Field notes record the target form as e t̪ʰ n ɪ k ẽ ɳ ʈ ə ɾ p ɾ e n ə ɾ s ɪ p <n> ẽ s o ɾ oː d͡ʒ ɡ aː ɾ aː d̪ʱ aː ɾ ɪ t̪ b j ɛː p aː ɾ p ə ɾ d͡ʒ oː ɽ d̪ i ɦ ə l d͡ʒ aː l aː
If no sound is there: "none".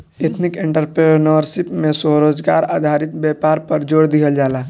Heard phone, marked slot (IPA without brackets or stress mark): m